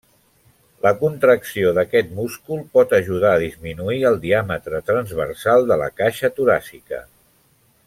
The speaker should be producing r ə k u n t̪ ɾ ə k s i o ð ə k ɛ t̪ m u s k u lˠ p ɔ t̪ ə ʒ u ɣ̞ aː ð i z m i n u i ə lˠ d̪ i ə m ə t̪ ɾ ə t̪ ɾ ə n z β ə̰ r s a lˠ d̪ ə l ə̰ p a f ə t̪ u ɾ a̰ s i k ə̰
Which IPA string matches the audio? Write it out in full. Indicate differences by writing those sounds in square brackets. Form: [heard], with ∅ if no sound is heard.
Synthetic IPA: [l] ə k u n t̪ ɾ ə k s i o ð ə k ɛ t̪ m u s k u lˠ p ɔ t̪ ə ʒ u [ð̞] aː ð i z m i n u i ə lˠ d̪ i [a] m ə t̪ ɾ ə t̪ ɾ ə n z β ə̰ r s a lˠ d̪ ə l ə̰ [k] a [ʃ] ə t̪ u ɾ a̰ s i k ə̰